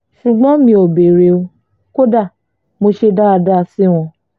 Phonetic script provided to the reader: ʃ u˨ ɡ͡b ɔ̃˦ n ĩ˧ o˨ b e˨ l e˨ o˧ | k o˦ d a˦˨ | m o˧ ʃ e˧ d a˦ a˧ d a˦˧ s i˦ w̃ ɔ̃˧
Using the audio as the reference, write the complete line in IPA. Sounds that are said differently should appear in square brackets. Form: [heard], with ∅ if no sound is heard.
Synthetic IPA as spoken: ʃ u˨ ɡ͡b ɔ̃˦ [m] ĩ˧ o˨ b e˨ [ɾ] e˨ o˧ | k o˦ d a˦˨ | m o˧ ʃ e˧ d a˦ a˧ d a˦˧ s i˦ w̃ ɔ̃˧